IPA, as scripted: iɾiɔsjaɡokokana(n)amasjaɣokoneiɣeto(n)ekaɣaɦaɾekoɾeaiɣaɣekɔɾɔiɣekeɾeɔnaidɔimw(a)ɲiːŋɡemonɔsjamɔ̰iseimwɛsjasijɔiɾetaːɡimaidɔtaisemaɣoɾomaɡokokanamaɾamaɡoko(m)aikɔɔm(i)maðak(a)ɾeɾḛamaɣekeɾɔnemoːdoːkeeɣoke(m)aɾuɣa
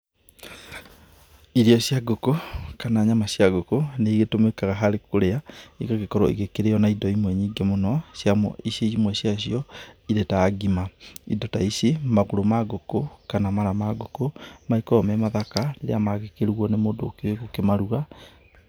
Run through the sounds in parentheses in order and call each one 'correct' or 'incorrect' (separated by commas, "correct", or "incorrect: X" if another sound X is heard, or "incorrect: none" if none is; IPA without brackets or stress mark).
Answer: incorrect: ɲ, incorrect: m, incorrect: ɛ, correct, incorrect: ɛ, correct, correct